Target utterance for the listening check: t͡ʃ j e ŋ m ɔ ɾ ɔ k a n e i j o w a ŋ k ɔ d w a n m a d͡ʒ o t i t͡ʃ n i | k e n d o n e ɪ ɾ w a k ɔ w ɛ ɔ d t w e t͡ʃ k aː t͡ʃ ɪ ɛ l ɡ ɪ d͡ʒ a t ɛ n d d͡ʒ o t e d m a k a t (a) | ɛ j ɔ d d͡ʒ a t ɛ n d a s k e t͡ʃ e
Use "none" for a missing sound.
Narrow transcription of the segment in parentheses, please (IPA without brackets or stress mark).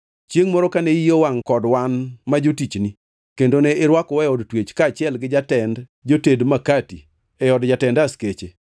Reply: i